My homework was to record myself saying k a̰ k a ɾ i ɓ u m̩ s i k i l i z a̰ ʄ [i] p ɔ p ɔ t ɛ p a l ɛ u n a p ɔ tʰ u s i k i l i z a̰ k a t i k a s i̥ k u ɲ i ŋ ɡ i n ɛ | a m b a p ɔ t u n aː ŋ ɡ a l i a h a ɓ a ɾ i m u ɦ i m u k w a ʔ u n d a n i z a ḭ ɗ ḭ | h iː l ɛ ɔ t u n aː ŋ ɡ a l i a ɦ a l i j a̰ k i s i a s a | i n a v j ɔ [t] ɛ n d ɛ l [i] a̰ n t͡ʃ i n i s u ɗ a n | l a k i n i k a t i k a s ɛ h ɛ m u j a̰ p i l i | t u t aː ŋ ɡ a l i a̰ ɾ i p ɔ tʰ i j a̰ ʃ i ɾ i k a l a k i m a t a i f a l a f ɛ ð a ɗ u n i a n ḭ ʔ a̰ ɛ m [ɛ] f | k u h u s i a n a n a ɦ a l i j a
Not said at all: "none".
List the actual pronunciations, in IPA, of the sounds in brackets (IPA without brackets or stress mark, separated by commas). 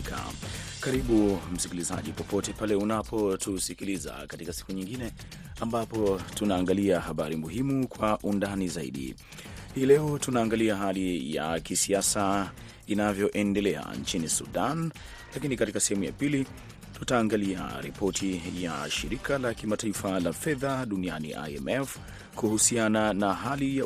i, ʔ, ɛ, ɛ